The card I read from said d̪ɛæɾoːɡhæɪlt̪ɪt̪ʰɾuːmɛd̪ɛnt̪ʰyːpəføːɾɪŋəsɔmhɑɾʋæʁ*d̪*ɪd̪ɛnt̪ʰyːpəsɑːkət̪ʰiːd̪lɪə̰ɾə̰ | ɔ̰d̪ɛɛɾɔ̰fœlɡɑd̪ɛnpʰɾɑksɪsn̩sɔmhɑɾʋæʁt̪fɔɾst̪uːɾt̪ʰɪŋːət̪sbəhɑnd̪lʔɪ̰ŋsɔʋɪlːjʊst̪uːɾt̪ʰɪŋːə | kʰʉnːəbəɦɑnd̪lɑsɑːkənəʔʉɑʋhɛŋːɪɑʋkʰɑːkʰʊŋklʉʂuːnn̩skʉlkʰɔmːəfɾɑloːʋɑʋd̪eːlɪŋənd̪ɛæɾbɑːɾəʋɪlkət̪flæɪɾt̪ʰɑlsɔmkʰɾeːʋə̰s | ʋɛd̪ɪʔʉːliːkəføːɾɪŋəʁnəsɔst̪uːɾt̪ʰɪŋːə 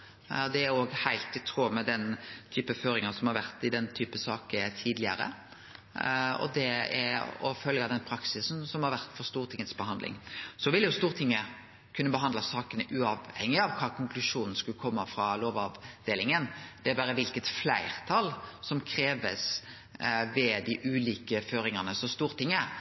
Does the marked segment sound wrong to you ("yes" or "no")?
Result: yes